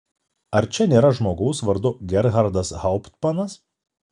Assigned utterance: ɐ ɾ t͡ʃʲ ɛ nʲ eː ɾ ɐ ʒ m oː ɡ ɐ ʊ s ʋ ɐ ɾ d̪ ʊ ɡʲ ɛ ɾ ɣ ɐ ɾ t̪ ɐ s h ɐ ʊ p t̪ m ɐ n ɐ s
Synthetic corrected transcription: ɐ ɾ t͡ʃʲ ɛ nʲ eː ɾ ɐ ʒ m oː ɡ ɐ ʊ s ʋ ɐ ɾ d̪ ʊ ɡʲ ɛ ɾ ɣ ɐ ɾ d̪ ɐ s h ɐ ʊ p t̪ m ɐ n ɐ s

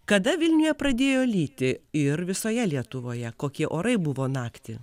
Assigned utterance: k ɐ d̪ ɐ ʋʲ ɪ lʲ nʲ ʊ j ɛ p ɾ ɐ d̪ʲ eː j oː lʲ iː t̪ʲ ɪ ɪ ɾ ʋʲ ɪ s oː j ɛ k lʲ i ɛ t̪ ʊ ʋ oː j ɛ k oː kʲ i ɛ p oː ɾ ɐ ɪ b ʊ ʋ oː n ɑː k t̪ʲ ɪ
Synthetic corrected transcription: k ɐ d̪ ɐ ʋʲ ɪ lʲ nʲ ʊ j ɛ p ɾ ɐ d̪ʲ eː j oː lʲ iː t̪ʲ ɪ ɪ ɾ ʋʲ ɪ s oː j ɛ lʲ i ɛ t̪ ʊ ʋ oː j ɛ k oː kʲ i ɛ ʔ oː ɾ ɐ ɪ b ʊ ʋ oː n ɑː k t̪ʲ ɪ

